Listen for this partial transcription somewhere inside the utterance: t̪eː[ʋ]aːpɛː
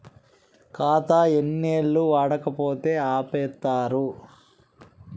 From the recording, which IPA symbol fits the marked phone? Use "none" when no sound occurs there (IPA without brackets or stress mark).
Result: none